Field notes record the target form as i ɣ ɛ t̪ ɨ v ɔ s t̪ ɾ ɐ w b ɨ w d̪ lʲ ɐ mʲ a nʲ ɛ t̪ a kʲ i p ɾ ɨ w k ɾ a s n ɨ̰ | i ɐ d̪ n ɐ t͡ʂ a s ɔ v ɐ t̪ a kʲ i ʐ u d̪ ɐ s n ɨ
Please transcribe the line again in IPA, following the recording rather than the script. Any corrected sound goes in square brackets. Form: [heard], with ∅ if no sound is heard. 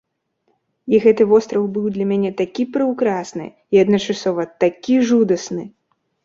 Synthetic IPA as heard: i ɣ ɛ t̪ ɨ v ɔ s t̪ ɾ ɐ w b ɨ w d̪ lʲ ɐ mʲ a nʲ ɛ t̪ a kʲ i p ɾ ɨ w k ɾ a s n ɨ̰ | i ɐ d̪ n ɐ t͡ʂ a s ɔ v ɐ t̪ a kʲ i ʐ u d̪ ɐ s n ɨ

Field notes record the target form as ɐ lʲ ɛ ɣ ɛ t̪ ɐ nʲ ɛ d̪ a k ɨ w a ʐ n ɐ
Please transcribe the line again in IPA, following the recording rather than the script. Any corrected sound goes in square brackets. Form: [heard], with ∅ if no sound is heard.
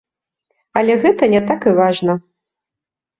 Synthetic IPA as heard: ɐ lʲ ɛ ɣ ɛ t̪ ɐ nʲ ɛ [t̪] a k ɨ [v] a ʐ n ɐ

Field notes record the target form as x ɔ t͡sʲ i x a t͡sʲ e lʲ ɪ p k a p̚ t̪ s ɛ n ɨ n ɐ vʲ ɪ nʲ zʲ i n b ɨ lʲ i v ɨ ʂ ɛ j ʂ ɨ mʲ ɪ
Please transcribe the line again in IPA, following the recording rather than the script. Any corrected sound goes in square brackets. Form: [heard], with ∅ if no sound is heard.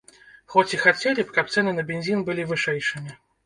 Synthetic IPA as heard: x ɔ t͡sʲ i x a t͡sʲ e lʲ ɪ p k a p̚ t̪ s ɛ n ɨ n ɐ [bʲ] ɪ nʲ zʲ i n b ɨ lʲ i v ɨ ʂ ɛ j ʂ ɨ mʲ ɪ

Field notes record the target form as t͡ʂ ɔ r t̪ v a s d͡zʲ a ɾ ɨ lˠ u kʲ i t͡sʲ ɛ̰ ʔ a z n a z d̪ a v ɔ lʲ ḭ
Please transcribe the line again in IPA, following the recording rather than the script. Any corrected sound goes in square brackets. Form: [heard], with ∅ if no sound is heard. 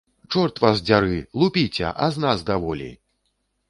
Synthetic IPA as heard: t͡ʂ ɔ r t̪ v a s d͡zʲ a ɾ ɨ lˠ u [pʲ] i t͡sʲ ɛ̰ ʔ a z n a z d̪ a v ɔ lʲ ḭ

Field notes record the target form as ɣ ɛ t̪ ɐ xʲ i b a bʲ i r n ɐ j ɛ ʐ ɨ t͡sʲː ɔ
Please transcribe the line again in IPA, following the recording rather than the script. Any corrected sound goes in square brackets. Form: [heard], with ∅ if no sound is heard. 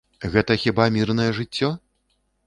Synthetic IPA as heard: ɣ ɛ t̪ ɐ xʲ i b a [mʲ] i r n ɐ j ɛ ʐ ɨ t͡sʲː ɔ

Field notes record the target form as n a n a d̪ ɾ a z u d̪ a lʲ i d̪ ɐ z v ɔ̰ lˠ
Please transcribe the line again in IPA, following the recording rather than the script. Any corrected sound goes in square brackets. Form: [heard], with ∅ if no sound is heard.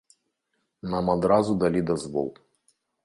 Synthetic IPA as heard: n a [m] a d̪ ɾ a z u d̪ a lʲ i d̪ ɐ z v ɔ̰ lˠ

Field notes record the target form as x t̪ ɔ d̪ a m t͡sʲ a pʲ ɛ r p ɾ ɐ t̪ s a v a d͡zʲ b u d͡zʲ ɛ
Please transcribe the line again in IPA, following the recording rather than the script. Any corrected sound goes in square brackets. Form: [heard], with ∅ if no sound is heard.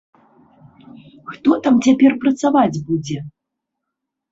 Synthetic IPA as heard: x t̪ ɔ [t̪] a m t͡sʲ a pʲ ɛ r p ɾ ɐ t̪ s a v a d͡zʲ b u d͡zʲ ɛ

